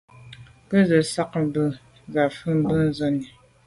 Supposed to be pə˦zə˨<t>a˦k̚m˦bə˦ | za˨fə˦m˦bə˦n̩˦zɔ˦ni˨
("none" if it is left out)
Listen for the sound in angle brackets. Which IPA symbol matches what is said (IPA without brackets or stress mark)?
s